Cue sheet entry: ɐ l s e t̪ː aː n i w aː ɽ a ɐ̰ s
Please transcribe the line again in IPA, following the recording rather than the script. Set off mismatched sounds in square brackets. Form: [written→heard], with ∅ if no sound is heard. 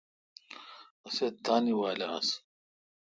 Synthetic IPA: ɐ [l→∅] s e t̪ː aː n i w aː [ɽ→l] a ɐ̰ s